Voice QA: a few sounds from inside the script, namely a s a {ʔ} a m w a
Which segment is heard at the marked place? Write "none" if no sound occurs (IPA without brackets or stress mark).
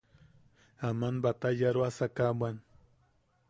k